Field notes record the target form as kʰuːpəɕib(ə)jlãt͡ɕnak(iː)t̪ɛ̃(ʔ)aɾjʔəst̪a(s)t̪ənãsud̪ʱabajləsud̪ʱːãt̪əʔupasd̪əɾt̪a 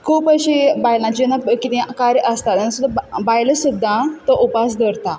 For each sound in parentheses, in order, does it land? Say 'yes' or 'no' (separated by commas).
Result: no, no, no, no